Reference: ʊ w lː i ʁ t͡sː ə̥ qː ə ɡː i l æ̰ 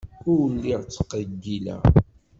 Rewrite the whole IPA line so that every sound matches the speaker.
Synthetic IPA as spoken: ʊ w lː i ʁ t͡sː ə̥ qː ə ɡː i l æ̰